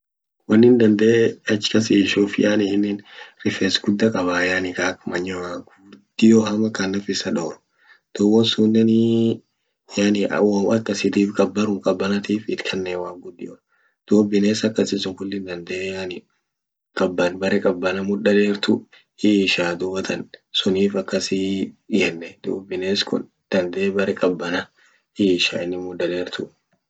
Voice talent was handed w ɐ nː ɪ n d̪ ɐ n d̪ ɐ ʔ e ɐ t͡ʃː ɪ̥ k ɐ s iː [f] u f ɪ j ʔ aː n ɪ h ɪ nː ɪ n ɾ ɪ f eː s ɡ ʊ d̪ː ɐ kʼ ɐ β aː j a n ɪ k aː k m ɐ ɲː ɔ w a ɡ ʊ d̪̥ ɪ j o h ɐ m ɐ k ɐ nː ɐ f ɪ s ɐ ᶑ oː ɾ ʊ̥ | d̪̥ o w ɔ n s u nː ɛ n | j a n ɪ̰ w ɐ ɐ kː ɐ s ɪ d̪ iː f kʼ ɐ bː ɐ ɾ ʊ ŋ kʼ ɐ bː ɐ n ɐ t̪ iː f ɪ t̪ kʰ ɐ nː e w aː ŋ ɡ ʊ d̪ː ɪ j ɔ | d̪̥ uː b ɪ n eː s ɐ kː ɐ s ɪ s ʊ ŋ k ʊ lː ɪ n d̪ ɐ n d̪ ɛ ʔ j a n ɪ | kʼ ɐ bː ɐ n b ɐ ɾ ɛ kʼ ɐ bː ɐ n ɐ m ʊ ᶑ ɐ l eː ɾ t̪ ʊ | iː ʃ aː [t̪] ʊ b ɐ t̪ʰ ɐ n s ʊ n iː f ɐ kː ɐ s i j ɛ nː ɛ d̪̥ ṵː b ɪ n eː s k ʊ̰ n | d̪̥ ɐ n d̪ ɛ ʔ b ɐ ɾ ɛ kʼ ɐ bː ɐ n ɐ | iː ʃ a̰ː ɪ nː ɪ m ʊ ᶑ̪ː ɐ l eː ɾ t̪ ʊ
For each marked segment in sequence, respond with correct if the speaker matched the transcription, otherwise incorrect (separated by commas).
incorrect, incorrect